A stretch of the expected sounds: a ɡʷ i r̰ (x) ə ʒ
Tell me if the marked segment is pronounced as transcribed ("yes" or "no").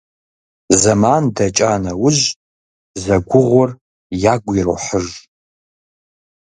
no